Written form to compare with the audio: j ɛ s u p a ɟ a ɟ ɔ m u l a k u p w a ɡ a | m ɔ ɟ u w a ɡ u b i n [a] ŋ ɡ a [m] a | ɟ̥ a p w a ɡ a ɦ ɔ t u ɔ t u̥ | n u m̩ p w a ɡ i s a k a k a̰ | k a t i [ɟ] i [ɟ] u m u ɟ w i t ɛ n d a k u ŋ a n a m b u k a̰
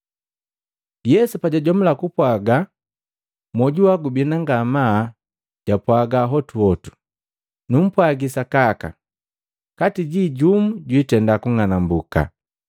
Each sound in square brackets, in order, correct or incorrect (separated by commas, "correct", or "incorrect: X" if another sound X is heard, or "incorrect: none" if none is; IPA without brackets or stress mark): correct, correct, correct, correct